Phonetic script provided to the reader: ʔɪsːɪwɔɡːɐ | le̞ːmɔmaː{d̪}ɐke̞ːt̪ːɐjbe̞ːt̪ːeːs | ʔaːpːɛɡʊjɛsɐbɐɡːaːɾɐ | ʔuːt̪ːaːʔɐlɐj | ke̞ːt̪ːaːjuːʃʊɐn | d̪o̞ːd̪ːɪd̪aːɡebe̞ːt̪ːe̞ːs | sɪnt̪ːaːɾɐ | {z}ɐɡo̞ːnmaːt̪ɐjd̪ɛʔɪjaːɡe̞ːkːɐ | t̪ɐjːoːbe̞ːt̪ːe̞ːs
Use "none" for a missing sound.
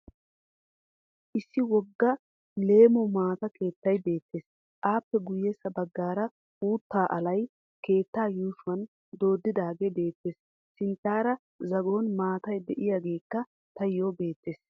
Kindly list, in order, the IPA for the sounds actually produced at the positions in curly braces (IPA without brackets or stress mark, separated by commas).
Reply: t̪, z